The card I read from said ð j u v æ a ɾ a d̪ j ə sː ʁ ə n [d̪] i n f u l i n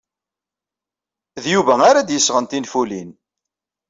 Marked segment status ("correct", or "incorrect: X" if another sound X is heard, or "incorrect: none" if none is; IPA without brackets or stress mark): incorrect: t̪